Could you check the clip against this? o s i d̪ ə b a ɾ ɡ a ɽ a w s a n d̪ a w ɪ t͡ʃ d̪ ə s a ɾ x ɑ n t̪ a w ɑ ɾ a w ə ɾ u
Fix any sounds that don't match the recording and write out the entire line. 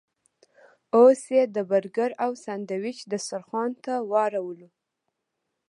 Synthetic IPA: o s e d̪ ə b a ɾ ɡ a ɾ a w s a n d̪ a w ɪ t͡ʃ d̪ ə s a ɾ x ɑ n t̪ a w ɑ ɾ a w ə l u